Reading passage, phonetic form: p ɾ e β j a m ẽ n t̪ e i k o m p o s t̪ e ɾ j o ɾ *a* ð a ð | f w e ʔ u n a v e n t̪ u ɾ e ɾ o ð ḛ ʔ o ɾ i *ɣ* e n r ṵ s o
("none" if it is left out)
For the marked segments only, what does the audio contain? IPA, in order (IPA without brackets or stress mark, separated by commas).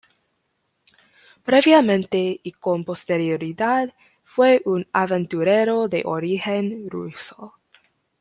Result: i, x